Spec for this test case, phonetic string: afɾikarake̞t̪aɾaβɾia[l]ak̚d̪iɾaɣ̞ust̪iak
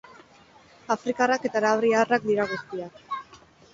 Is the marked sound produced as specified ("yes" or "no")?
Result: no